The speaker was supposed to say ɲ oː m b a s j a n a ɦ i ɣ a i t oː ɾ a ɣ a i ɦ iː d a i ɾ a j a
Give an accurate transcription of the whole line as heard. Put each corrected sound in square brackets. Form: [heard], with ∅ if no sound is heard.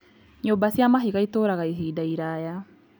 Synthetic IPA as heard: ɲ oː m b a s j a [m] a ɦ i ɣ a i t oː ɾ a ɣ a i ɦ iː d a i ɾ a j a

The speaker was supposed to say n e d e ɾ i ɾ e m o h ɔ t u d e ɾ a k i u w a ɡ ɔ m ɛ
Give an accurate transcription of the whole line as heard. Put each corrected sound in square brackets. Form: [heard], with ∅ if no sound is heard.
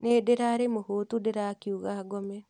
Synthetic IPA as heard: n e d e ɾ [a] ɾ e m o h [o] t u d e ɾ a k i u [ɣ] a ɡ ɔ m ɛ

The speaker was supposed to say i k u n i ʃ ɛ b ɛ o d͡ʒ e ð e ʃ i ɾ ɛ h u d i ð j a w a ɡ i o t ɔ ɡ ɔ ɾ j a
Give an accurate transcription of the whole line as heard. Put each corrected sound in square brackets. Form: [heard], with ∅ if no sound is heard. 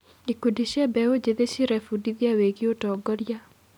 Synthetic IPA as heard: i k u [d] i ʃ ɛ b ɛ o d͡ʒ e ð e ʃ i ɾ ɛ [f] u d i ð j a w [e] ɡ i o t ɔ ɡ ɔ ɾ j a

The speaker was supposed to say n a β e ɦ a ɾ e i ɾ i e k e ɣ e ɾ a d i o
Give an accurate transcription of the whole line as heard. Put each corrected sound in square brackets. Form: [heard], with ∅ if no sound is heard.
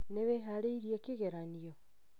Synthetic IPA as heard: n [e] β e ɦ a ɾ e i ɾ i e k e ɣ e ɾ a [n] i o

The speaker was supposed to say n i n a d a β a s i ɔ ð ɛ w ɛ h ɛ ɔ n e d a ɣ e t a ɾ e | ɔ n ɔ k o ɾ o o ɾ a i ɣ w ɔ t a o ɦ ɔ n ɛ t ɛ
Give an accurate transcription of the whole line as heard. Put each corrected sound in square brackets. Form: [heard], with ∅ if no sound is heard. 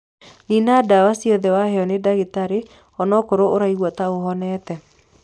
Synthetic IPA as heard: n i n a d a [w] a s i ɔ ð ɛ w [a] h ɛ ɔ n e d a ɣ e t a ɾ e | ɔ n ɔ k o ɾ o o ɾ a i ɣ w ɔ t a o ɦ ɔ n ɛ t ɛ

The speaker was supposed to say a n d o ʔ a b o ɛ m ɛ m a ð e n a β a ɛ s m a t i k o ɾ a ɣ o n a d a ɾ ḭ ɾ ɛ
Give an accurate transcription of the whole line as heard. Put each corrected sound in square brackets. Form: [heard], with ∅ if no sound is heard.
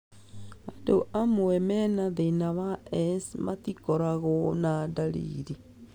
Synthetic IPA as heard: a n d o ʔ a [m] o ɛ m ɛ [n] a ð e n a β a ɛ s m a t i k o ɾ a ɣ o n a d a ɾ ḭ ɾ [i]

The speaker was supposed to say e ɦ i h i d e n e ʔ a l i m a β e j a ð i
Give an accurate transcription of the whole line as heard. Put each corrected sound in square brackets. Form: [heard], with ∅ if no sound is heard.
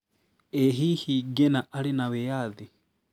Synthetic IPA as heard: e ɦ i h i [ɡ] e n [a] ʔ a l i [n] a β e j a ð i

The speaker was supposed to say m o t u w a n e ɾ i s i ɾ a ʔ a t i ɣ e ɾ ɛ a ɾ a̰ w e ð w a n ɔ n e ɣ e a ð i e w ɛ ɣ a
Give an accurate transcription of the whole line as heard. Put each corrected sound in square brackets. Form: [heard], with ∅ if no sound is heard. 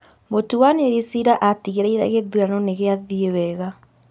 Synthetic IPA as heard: m o t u w a n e ɾ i s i ɾ a ʔ a t i ɣ e ɾ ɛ [i] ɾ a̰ [ɣ] e ð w a n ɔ n e ɣ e a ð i e w ɛ ɣ a

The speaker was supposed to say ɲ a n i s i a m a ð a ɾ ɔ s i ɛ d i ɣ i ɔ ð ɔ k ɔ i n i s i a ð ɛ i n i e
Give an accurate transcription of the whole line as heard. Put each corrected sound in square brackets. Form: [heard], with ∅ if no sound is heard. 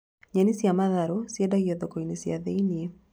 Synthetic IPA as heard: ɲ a n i s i a m a ð a ɾ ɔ s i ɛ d [a] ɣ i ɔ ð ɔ k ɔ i n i s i a ð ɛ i n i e

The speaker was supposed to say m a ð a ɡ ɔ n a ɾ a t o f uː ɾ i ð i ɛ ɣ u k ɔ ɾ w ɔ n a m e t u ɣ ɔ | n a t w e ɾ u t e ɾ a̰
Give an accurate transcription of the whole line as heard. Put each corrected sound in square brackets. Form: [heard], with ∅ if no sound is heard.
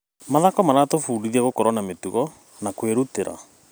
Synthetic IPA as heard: m a ð a [k] ɔ [m] a ɾ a t o f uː ɾ i ð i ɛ ɣ [o] k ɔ ɾ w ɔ n a m e t u ɣ ɔ | n a [k] w e ɾ u t e ɾ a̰

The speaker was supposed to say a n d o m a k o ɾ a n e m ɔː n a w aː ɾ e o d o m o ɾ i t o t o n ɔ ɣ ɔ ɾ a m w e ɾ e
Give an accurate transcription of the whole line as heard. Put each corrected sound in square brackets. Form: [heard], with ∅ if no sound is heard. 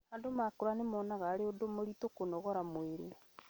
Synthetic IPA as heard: a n d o m a k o ɾ a n e m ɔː n a [ɣ] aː ɾ e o d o m o ɾ i t o [k] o n ɔ ɣ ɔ ɾ a m w e ɾ e

